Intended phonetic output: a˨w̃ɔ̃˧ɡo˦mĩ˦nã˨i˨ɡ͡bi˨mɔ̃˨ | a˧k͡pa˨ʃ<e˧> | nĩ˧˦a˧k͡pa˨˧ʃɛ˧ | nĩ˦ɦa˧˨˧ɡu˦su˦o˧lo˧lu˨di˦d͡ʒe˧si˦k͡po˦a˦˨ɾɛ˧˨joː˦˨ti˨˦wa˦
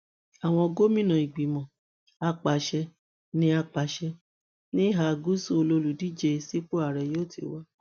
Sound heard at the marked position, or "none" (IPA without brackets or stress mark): ɛ˧